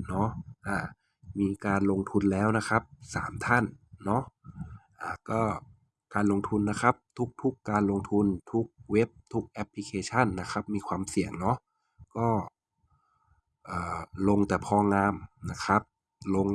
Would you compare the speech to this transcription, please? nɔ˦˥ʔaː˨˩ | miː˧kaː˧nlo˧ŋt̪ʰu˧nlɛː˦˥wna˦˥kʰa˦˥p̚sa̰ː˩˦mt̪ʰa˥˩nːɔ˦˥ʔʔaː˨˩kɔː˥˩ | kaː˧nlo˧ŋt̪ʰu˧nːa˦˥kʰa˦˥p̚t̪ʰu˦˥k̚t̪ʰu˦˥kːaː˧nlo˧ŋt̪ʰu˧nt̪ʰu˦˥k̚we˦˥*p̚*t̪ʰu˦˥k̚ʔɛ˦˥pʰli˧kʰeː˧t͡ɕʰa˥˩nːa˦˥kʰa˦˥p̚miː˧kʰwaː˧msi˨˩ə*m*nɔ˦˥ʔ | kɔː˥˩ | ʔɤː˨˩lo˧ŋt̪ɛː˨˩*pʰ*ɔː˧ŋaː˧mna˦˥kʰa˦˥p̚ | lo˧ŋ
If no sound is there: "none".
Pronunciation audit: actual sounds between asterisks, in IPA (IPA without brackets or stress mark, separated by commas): p̚, ŋ, pʰ